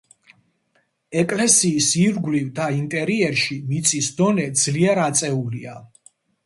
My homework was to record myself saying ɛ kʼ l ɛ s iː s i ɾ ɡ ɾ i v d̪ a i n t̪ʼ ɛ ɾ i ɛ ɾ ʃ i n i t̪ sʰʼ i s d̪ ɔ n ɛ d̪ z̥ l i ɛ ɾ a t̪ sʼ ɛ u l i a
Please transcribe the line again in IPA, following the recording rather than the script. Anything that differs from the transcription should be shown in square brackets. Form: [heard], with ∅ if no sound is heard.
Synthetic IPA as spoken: ɛ kʼ l ɛ s iː s i ɾ ɡ [l] i v d̪ a i n t̪ʼ ɛ ɾ i ɛ ɾ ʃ i [m] i t̪ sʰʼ i s d̪ ɔ n ɛ d̪ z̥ l i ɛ ɾ a t̪ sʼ ɛ u l i a

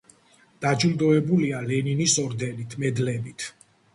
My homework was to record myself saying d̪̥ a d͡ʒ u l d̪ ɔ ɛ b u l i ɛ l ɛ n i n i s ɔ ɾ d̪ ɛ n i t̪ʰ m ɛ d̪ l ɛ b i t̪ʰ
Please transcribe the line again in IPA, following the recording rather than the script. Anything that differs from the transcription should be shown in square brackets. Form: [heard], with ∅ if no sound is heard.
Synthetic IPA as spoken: d̪̥ a d͡ʒ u l d̪ ɔ ɛ b u l i [a] l ɛ n i n i s ɔ ɾ d̪ ɛ n i t̪ʰ m ɛ d̪ l ɛ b i t̪ʰ

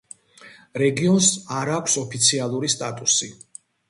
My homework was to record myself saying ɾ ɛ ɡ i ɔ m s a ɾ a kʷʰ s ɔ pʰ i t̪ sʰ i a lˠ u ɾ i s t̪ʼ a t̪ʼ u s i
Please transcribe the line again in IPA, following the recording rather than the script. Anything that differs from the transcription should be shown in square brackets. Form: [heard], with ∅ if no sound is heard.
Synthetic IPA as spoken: ɾ ɛ ɡ i ɔ [n] s a ɾ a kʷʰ s ɔ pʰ i t̪ sʰ i a lˠ u ɾ i s t̪ʼ a t̪ʼ u s i

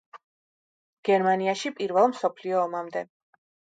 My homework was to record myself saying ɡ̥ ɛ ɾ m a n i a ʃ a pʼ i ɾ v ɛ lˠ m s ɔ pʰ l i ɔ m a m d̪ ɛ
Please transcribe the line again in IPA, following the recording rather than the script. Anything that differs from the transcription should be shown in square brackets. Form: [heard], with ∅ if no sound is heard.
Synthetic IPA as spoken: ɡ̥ ɛ ɾ m a n i a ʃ [i] pʼ i ɾ v ɛ lˠ m s ɔ pʰ l i [ɔː] m a m d̪ ɛ

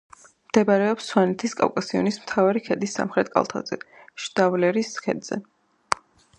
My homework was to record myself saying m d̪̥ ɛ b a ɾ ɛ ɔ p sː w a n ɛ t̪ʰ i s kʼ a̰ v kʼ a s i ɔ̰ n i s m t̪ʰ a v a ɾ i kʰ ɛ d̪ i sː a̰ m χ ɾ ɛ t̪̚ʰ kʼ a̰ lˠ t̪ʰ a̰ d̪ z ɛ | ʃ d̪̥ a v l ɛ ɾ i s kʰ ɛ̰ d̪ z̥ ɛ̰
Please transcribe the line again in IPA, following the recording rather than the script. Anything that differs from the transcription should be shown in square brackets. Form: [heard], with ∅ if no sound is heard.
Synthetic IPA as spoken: m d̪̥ ɛ b a ɾ ɛ ɔ p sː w a n ɛ t̪ʰ i s kʼ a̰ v kʼ a s i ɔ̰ n i s m t̪ʰ a v a ɾ i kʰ ɛ d̪ i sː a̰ m χ ɾ ɛ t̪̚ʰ kʼ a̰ lˠ t̪ʰ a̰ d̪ z ɛ | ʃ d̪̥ a v l ɛ ɾ i s kʰ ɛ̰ d̪ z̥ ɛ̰

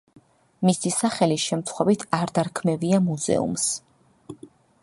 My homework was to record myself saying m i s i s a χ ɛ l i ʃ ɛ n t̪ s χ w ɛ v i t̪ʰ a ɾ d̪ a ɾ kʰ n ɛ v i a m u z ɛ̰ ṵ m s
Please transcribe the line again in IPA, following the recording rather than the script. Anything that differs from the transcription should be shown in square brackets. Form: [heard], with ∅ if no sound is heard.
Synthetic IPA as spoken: m i s i s a χ ɛ l i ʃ ɛ [m] t̪ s χ w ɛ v i t̪ʰ a ɾ d̪ a ɾ kʰ [m] ɛ v i a m u z ɛ̰ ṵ m s

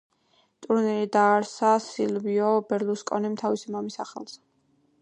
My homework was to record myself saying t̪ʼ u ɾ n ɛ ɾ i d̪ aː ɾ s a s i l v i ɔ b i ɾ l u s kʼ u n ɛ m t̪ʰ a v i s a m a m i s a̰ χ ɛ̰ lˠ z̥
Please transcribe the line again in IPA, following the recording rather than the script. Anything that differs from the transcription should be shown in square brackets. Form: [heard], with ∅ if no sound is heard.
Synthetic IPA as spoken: t̪ʼ u ɾ n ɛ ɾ i d̪ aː ɾ s a s i l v i ɔ b [ɛ] ɾ l u s kʼ [ɔ] n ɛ m t̪ʰ a v i s [i] m a m i s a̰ χ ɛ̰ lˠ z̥

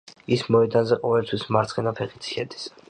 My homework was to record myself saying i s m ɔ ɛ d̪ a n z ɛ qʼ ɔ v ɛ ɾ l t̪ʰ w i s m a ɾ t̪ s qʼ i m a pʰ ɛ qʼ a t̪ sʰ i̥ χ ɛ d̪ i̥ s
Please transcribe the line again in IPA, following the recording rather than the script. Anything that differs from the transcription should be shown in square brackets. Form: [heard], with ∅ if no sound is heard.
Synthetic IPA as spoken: i s m ɔ ɛ d̪ a n z ɛ qʼ ɔ v ɛ [∅] l t̪ʰ w i s m a ɾ t̪ s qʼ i [n] a pʰ ɛ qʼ [i] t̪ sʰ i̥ [ʃ] ɛ d̪ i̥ s

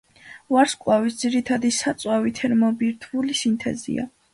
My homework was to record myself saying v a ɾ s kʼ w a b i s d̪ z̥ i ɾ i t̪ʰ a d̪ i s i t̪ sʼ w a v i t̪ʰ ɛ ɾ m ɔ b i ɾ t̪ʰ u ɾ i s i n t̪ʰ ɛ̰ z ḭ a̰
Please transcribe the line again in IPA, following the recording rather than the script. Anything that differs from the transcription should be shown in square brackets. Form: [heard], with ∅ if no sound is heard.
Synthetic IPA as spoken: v a ɾ s kʼ w a [v] i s d̪ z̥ i ɾ i t̪ʰ a d̪ i s [a] t̪ sʼ w a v i t̪ʰ ɛ ɾ m ɔ b i ɾ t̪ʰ u [l] i s i n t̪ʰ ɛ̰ z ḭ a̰

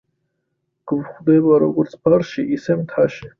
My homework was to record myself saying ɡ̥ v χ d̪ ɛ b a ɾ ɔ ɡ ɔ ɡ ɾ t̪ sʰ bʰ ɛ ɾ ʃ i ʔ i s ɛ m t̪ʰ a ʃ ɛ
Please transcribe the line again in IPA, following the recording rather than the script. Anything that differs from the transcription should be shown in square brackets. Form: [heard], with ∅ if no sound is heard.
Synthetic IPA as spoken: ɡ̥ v χ d̪ ɛ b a ɾ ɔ ɡ ɔ [∅] ɾ t̪ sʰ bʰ [a] ɾ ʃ i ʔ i s ɛ m t̪ʰ a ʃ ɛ

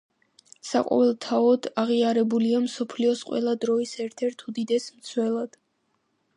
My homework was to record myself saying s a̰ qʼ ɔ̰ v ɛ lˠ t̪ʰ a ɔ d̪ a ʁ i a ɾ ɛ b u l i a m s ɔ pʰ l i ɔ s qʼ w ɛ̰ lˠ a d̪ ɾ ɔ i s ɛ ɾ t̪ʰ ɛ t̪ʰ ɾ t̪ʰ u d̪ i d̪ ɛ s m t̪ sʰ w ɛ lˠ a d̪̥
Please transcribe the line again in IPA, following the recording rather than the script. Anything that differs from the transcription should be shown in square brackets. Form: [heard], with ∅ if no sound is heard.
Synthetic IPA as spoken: s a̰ qʼ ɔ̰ v ɛ lˠ t̪ʰ a ɔ d̪ a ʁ i a ɾ ɛ b u l i a m s ɔ pʰ l i ɔ s qʼ w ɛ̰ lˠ a d̪ ɾ ɔ i s ɛ ɾ t̪ʰ ɛ [∅] ɾ t̪ʰ u d̪ i d̪ ɛ s m t̪ sʰ w ɛ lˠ a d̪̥

